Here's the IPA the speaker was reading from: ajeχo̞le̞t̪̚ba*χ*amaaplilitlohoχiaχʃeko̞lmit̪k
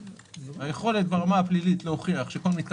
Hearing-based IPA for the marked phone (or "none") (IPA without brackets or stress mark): ʁ